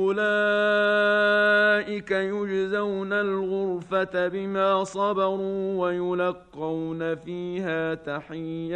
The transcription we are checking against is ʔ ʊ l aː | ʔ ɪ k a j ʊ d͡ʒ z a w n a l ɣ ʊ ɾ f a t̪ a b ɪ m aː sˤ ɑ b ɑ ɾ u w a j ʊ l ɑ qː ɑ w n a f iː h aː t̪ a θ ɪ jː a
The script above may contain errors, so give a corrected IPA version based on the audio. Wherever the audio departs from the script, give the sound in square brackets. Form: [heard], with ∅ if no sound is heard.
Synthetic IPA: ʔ ʊ l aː | ʔ ɪ k a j ʊ d͡ʒ z a w n a l ɣ ʊ ɾ f a t̪ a b ɪ m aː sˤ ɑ b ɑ ɾ [uː] w a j ʊ l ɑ qː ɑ w n a f iː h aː t̪ a [ħ] ɪ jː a